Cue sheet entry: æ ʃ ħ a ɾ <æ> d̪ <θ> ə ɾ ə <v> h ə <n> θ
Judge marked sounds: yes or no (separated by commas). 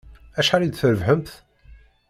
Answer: no, yes, yes, no